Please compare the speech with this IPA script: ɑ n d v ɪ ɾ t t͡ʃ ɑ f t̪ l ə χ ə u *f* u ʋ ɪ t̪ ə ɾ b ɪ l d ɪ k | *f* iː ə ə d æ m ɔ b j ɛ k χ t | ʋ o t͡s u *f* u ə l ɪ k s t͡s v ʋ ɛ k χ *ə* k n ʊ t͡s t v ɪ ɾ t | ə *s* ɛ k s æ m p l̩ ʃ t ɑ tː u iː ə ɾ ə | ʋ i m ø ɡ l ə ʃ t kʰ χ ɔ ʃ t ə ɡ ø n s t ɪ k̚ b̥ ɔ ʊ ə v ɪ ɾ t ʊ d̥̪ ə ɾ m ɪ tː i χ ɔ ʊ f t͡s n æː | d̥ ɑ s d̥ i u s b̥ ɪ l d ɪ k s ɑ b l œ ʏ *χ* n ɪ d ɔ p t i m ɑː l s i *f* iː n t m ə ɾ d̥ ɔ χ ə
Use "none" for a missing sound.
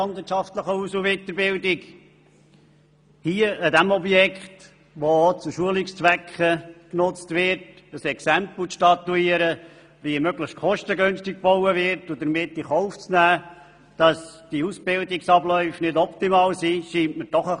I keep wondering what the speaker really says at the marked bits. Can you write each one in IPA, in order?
s, h, ʃ, ə, s, f, ʃ

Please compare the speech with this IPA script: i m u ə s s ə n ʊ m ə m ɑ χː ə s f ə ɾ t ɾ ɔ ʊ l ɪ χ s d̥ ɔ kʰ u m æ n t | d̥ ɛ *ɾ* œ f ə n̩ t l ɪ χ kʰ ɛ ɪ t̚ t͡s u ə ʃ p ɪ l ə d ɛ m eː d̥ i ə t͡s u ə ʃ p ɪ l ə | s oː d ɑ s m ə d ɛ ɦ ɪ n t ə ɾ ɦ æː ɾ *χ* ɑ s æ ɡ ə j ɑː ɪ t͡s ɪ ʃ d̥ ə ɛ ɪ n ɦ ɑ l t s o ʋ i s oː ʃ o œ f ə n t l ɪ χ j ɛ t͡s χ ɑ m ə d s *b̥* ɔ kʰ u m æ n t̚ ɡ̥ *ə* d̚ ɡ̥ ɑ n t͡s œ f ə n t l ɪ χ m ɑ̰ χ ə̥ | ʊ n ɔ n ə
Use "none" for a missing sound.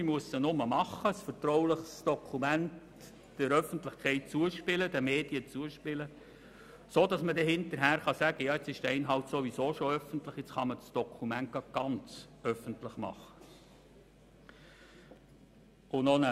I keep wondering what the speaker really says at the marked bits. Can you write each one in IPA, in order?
ɾ, χ, d̥, ɑ

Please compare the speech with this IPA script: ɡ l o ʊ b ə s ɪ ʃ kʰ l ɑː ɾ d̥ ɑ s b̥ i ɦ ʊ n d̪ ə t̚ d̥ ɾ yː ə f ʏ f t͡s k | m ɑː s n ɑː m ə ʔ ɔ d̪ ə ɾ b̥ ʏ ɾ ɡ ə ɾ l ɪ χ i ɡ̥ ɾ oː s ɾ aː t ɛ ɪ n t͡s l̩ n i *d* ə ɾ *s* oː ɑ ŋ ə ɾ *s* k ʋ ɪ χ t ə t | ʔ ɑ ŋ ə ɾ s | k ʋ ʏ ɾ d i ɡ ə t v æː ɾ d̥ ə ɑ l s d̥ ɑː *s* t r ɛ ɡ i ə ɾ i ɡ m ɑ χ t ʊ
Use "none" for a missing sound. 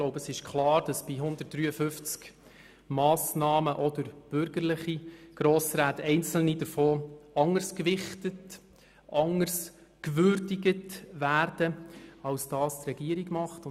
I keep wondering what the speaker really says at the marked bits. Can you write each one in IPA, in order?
d, f, s, s

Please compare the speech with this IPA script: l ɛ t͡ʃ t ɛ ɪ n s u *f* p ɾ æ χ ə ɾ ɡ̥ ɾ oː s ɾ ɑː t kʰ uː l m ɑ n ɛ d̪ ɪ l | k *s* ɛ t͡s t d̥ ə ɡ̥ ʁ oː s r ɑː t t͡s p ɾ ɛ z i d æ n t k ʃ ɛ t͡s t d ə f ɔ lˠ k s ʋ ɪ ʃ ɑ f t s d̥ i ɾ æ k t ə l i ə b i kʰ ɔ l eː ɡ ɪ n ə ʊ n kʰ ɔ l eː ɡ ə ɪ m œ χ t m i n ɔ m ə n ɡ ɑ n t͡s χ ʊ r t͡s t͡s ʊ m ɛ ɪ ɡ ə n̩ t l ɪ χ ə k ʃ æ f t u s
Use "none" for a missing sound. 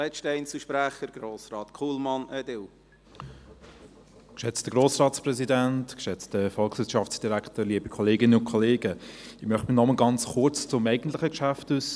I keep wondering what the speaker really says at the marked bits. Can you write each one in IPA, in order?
ʃ, ʃ

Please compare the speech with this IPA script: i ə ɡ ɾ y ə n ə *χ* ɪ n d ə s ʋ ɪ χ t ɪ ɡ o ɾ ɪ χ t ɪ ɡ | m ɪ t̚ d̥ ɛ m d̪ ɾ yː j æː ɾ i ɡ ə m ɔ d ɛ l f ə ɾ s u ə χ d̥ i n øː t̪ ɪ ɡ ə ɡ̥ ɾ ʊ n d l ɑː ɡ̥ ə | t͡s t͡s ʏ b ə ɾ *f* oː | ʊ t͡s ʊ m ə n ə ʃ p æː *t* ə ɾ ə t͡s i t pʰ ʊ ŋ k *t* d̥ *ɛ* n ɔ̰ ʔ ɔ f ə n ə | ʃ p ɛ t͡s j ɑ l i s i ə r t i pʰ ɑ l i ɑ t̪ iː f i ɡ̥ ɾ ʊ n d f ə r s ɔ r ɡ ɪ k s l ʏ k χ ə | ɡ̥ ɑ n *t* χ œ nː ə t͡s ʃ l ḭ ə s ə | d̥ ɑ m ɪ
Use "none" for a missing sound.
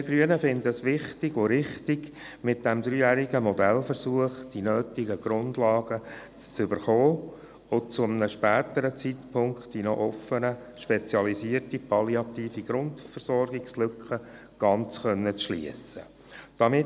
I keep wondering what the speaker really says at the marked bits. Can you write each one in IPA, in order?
f, χ, t, t, i, t͡s

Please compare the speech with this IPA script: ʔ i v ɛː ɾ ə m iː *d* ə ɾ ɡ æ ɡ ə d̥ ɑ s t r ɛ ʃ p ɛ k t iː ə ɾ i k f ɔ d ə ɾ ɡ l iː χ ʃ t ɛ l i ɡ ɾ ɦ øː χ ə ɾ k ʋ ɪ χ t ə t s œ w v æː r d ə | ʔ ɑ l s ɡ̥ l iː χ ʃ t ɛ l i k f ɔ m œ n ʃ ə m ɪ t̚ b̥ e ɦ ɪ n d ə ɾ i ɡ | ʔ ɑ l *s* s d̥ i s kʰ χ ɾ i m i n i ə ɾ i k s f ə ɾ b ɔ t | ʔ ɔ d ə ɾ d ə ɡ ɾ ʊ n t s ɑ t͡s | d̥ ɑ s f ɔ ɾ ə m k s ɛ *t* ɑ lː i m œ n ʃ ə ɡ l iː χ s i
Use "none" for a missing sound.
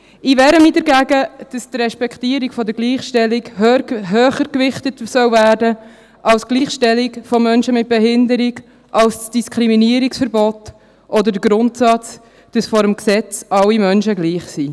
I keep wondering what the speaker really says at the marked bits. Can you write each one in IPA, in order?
d, s, t͡s

